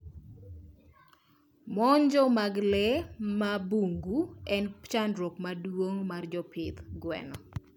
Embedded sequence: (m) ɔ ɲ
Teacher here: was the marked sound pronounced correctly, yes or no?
yes